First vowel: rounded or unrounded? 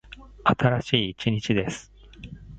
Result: unrounded